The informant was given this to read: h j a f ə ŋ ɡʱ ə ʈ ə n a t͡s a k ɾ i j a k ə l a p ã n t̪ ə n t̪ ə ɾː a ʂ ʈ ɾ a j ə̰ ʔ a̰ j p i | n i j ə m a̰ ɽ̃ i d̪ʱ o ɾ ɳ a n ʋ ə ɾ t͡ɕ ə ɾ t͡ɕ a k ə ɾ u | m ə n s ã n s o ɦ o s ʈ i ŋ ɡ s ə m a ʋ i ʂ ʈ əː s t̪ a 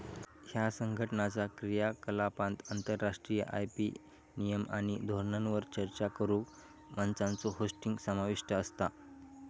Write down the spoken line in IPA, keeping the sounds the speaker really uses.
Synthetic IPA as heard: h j a s ə ŋ ɡʱ ə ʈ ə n a t͡s a k ɾ i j a k ə l a p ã n t̪ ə n t̪ ə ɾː a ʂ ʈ ɾ i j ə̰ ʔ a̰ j p i | n i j ə m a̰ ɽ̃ i d̪ʱ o ɾ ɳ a n ʋ ə ɾ t͡ɕ ə ɾ t͡ɕ a k ə ɾ u | m ə n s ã n t͡s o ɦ o s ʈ i ŋ ɡ s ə m a ʋ i ʂ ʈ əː s t̪ a